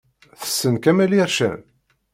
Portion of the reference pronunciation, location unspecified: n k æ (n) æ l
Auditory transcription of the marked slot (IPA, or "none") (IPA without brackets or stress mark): m